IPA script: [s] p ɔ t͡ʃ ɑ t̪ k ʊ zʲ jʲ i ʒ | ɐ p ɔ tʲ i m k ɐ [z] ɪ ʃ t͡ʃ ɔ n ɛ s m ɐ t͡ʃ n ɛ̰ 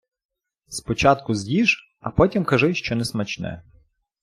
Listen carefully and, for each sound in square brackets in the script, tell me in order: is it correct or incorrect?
correct, incorrect

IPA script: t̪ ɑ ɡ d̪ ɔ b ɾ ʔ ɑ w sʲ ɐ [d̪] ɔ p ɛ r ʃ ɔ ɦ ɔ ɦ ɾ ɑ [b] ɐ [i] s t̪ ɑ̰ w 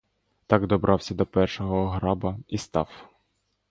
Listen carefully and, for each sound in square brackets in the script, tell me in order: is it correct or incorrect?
correct, correct, correct

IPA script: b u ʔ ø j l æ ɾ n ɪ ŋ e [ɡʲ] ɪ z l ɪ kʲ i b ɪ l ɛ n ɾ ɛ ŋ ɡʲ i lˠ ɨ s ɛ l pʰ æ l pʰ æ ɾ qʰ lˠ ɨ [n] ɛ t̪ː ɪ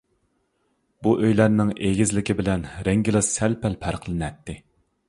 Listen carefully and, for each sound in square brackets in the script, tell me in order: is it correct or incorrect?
correct, correct

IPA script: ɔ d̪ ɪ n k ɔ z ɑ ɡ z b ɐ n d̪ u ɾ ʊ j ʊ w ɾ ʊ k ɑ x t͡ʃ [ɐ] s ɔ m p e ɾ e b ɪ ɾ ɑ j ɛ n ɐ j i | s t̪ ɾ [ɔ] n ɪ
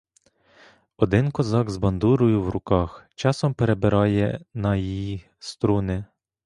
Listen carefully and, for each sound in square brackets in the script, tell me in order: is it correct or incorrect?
incorrect, incorrect

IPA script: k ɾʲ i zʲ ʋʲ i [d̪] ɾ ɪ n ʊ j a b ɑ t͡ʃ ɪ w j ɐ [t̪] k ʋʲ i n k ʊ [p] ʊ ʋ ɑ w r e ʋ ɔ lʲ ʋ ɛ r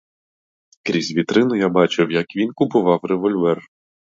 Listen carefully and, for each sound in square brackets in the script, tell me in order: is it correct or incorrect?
incorrect, incorrect, correct

